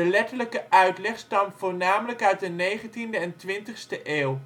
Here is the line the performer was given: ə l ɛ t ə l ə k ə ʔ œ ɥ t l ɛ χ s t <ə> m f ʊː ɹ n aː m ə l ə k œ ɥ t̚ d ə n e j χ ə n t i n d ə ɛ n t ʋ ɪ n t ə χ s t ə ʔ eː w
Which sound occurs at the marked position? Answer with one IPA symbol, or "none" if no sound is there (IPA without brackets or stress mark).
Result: ɑ